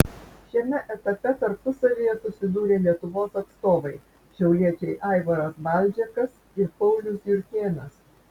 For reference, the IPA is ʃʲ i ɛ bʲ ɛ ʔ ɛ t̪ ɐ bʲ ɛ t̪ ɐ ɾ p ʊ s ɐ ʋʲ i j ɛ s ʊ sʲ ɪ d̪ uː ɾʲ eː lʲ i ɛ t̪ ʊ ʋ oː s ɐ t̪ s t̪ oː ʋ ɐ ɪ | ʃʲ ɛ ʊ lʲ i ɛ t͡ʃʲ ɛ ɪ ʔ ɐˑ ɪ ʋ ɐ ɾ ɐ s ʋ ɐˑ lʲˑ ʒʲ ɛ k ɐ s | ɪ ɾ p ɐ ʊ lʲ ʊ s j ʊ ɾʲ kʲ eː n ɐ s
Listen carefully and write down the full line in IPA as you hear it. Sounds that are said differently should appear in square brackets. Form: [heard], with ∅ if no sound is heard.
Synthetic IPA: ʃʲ i ɛ [mʲ] ɛ ʔ ɛ t̪ ɐ [pʲ] ɛ t̪ ɐ ɾ p ʊ s ɐ ʋʲ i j ɛ s ʊ sʲ ɪ d̪ uː ɾʲ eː lʲ i ɛ t̪ ʊ ʋ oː s ɐ t̪ s t̪ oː ʋ ɐ ɪ | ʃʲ ɛ ʊ lʲ i ɛ t͡ʃʲ ɛ ɪ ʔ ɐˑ ɪ ʋ ɐ ɾ ɐ s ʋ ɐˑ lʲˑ [d͡ʒʲ] ɛ k ɐ s | ɪ ɾ p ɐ ʊ lʲ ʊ s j ʊ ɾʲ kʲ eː n ɐ s